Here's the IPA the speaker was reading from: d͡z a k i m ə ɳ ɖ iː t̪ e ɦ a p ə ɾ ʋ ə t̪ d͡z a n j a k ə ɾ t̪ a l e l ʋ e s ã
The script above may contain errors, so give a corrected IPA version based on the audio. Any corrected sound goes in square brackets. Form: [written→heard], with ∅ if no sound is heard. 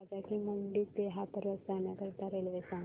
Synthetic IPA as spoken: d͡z a k i m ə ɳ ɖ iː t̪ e ɦ a p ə ɾ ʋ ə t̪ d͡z a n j a k ə ɾ t̪ a [l→ɾ] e l ʋ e s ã

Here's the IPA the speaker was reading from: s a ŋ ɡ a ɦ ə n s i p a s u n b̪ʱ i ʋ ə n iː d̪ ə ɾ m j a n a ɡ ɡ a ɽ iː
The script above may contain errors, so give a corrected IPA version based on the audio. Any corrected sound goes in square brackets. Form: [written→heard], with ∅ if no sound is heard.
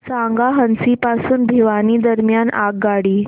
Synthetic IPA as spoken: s a ŋ ɡ a ɦ ə n s i p a s [u→uː] n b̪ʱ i ʋ [ə→a] n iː d̪ ə ɾ m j a n a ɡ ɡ a ɽ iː

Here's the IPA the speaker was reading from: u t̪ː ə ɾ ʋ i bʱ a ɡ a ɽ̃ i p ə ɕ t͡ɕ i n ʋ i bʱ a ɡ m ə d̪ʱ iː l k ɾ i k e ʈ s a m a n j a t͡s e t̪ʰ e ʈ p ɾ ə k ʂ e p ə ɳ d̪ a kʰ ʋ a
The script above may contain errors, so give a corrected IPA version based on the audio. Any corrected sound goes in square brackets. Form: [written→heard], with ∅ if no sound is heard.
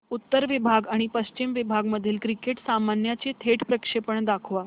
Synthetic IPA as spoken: u t̪ː ə ɾ ʋ i bʱ a ɡ a ɽ̃ i p ə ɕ t͡ɕ i [n→m] ʋ i bʱ a ɡ m ə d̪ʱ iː l k ɾ i k e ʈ s a m a n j a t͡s e t̪ʰ e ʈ p ɾ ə k ʂ e p ə ɳ d̪ a kʰ ʋ a

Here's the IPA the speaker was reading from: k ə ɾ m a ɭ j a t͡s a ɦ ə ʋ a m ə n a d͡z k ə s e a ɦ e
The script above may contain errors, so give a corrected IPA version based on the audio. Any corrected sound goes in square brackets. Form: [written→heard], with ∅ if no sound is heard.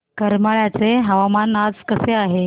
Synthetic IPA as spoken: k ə ɾ m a ɭ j a t͡s [a→e] ɦ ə ʋ a m [ə→a] n a d͡z k ə s e a ɦ e

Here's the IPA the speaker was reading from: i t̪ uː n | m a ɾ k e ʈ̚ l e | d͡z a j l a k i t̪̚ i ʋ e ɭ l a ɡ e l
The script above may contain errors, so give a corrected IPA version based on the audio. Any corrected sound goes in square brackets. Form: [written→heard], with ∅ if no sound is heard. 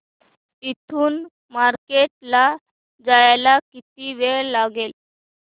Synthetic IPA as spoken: i [t̪→t̪ʰ] uː n | m a ɾ k e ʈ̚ l [e→a] | d͡z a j l a k i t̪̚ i ʋ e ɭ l a ɡ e l

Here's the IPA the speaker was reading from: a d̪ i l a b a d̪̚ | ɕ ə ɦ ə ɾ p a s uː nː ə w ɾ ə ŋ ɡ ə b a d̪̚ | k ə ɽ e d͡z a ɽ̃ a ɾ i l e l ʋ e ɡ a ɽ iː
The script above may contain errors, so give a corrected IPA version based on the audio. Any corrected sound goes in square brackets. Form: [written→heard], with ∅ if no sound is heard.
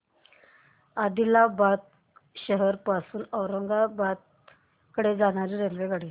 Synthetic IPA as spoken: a d̪ i l a b a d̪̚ | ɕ ə ɦ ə ɾ p a s uː [nː→n] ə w ɾ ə ŋ ɡ [ə→a] b a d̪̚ | k ə ɽ e d͡z a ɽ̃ a ɾ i [l→ɾ] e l ʋ e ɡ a ɽ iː

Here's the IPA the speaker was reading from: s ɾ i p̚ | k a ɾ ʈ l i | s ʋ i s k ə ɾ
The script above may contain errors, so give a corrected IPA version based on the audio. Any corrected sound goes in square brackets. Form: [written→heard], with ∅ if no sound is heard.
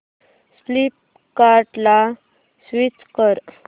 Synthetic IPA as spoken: s [ɾ→l] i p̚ | k a ɾ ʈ l [i→a] | s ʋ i [s→t͡s] k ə ɾ

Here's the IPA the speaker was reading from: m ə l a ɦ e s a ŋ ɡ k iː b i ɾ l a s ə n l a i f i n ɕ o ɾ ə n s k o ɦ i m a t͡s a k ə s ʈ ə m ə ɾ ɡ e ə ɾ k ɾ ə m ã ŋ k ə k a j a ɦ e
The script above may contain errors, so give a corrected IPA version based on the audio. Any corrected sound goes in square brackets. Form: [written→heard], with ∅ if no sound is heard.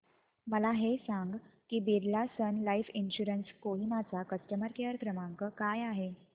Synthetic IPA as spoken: m ə l a ɦ e s a ŋ ɡ k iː b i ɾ l a s ə n l a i f i n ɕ [o→u] ɾ ə n s k o ɦ i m a t͡s a k ə s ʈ ə m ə ɾ [ɡ→k] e ə ɾ k ɾ ə m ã ŋ k ə k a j a ɦ e

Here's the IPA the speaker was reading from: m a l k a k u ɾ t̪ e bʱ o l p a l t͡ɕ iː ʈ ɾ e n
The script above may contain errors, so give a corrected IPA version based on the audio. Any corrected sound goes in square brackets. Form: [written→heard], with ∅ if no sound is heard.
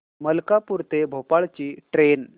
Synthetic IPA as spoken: m [a→ə] l k a [k→p] u ɾ t̪ e bʱ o [l→∅] p a [l→ɭ] t͡ɕ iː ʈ ɾ e n

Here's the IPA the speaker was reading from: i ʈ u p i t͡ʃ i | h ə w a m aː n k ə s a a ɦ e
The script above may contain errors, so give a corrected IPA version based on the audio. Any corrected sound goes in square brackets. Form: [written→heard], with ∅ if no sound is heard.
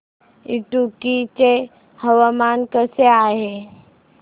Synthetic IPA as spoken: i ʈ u [p→k] i t͡ʃ [i→e] | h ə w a m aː n k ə s [a→e] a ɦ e

